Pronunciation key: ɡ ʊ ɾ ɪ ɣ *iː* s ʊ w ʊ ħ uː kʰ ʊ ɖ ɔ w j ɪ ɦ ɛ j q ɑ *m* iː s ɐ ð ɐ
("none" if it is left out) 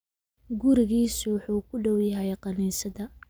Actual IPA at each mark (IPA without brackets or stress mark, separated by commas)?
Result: iː, n